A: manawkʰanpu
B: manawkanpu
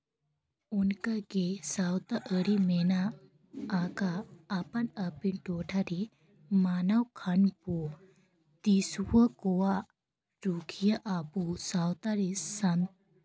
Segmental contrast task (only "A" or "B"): A